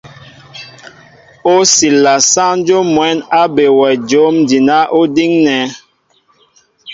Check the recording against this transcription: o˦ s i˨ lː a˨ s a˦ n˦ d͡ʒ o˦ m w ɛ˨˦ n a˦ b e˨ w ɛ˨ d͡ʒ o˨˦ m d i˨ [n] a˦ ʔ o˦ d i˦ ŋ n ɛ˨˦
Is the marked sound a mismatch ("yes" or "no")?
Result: no